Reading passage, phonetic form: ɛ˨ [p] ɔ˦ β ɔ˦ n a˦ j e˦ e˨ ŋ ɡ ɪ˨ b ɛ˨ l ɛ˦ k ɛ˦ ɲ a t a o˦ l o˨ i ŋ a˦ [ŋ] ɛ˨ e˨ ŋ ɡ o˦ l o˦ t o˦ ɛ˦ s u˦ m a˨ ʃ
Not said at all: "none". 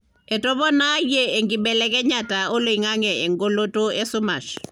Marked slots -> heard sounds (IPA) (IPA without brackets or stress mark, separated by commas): t, ŋ